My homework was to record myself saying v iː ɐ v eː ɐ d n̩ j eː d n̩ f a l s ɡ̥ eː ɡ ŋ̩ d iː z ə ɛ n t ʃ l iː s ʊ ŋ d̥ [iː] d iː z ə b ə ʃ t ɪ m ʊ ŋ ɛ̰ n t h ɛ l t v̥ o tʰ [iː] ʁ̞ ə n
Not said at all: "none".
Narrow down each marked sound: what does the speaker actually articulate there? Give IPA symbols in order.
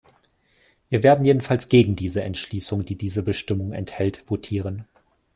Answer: iː, iː

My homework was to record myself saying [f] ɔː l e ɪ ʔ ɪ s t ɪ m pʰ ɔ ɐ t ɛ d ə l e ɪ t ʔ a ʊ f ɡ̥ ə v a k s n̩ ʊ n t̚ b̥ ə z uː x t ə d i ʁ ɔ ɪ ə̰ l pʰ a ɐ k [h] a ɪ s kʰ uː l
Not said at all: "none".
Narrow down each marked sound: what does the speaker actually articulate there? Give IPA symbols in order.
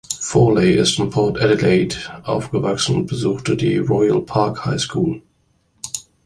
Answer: f, h

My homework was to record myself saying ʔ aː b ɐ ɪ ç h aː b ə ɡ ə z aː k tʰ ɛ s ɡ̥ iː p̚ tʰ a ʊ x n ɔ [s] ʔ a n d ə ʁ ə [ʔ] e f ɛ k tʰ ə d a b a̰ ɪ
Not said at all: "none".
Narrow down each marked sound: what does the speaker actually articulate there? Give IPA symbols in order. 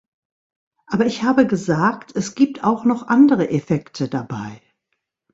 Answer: χ, ʔ

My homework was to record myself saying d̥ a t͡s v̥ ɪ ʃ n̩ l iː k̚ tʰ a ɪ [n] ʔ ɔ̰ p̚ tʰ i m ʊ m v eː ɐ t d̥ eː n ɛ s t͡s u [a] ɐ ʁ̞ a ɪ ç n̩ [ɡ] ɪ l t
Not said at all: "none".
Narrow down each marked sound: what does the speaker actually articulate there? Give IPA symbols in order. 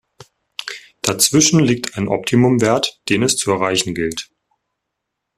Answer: n, ɛ, ɡ

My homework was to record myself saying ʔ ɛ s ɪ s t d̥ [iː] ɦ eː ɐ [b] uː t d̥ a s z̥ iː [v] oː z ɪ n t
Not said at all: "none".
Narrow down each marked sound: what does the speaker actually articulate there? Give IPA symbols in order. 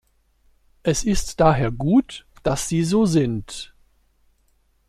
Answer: aː, ɡ, z

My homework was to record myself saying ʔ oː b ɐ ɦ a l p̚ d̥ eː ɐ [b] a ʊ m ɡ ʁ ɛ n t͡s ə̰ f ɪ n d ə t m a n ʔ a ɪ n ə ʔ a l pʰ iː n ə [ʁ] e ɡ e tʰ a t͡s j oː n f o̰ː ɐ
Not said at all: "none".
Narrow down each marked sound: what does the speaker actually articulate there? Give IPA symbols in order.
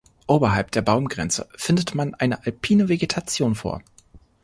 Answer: b, v

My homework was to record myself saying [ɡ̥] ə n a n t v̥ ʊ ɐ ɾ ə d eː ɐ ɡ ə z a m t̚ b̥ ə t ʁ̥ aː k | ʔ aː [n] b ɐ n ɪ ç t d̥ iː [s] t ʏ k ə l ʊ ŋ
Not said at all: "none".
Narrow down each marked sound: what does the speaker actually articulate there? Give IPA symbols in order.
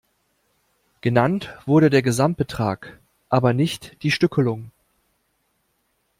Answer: ɡ̥, none, ʃ

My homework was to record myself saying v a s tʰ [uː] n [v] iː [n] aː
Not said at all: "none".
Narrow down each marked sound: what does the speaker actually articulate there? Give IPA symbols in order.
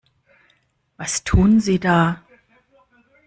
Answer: uː, z, d

